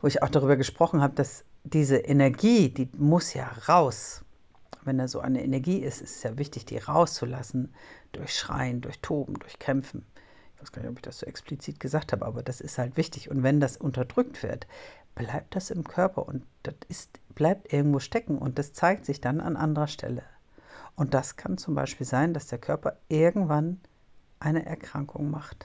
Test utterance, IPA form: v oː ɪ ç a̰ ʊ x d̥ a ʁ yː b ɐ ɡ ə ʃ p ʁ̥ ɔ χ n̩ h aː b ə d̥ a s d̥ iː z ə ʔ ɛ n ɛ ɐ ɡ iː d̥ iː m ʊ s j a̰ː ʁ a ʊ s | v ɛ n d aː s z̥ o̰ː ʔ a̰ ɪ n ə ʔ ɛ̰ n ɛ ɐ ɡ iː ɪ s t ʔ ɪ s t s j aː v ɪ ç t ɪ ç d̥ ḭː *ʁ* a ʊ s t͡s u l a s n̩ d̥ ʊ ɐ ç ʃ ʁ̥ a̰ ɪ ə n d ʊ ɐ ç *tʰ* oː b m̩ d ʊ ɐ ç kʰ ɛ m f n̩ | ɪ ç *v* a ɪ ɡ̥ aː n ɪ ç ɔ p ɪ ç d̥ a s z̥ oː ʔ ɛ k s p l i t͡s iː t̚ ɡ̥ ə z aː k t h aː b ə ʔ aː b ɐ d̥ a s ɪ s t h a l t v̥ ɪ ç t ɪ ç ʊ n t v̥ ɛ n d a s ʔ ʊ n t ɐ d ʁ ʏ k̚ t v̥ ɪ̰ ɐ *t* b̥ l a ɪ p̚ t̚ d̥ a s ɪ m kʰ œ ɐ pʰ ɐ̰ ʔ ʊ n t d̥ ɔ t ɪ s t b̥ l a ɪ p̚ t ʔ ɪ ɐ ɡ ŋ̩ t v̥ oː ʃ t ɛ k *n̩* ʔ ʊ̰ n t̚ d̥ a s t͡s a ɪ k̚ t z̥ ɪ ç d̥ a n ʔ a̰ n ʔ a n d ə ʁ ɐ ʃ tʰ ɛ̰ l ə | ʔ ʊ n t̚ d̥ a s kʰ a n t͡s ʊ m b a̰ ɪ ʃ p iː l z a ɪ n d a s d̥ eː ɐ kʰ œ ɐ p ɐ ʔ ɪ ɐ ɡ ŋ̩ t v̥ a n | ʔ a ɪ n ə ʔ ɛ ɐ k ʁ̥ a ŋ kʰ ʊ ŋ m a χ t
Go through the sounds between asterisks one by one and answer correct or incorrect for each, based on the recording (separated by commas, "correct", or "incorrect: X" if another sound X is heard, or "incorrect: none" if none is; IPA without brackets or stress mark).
correct, correct, correct, correct, incorrect: ŋ̩